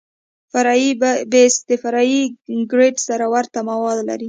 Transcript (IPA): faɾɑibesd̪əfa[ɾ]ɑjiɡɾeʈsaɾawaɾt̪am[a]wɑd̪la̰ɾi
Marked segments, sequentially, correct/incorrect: correct, correct

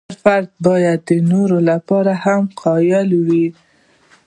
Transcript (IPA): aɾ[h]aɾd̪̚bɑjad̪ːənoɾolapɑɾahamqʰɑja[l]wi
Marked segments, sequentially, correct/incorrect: incorrect, correct

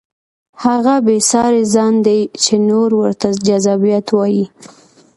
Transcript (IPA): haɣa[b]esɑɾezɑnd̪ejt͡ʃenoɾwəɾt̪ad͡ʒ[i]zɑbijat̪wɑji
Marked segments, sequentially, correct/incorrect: correct, incorrect

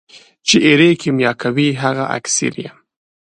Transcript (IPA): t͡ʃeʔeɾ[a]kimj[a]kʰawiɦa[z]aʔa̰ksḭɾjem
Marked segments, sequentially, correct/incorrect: incorrect, incorrect, incorrect

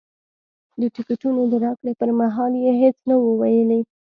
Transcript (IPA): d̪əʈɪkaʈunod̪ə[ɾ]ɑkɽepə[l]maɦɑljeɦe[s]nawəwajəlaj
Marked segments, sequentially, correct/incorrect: correct, incorrect, incorrect

